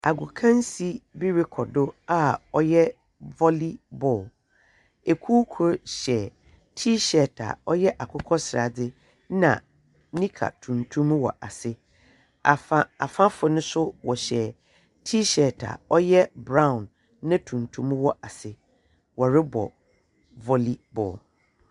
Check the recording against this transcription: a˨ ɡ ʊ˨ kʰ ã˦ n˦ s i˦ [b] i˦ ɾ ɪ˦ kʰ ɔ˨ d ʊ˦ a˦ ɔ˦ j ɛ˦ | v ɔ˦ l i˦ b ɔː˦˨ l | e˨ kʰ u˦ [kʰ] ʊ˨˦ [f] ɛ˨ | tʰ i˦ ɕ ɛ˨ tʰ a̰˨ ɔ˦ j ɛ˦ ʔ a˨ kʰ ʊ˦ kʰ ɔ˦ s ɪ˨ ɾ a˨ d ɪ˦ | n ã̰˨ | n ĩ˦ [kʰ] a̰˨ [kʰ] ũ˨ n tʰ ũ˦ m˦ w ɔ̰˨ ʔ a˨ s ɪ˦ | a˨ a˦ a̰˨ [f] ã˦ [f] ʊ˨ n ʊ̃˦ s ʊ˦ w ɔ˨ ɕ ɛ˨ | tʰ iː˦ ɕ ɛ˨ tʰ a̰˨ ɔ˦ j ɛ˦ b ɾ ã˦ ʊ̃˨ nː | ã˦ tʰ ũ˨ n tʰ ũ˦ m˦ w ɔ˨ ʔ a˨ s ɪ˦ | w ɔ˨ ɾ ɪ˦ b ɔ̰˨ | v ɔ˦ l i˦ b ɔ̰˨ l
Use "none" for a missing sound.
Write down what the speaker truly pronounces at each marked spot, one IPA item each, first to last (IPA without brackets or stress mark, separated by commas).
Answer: b, kʰ, ɕ, kʰ, tʰ, f, f